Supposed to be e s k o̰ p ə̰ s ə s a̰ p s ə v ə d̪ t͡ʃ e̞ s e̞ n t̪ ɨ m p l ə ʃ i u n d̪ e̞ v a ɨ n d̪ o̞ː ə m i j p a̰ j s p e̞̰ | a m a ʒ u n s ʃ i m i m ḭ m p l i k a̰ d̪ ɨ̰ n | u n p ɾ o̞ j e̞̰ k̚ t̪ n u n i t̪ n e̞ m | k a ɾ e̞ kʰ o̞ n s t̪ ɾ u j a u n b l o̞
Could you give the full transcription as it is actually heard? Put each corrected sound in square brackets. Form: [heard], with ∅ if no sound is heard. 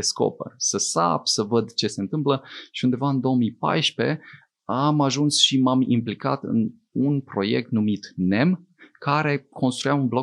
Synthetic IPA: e s k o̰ p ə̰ s ə s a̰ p s ə v ə d̪ t͡ʃ e̞ s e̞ n t̪ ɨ m p l ə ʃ i u n d̪ e̞ v a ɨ n d̪ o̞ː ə m i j p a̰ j [ʃ] p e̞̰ | a m a ʒ u n s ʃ i m [a] m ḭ m p l i k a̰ [t̪] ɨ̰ n | u n p ɾ o̞ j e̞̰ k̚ t̪ n u [m] i t̪ n e̞ m | k a ɾ e̞ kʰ o̞ n s t̪ ɾ u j a u n b l o̞